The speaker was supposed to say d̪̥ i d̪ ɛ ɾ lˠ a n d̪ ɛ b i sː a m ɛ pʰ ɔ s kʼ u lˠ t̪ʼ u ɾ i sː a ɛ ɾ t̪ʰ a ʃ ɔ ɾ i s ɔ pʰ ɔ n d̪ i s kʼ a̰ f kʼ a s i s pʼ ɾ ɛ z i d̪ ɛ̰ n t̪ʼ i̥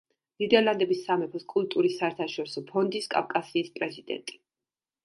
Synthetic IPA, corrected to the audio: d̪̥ i d̪ ɛ ɾ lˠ a n d̪ ɛ b i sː a m ɛ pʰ ɔ s kʼ u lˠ t̪ʼ u ɾ i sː a ɛ ɾ t̪ʰ a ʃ ɔ ɾ i s ɔ pʰ ɔ n d̪ i s kʼ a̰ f kʼ a s iː s pʼ ɾ ɛ z i d̪ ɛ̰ n t̪ʼ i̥